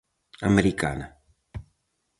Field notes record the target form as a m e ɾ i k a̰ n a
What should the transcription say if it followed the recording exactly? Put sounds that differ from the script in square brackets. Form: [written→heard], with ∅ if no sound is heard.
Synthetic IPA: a m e ɾ i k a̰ n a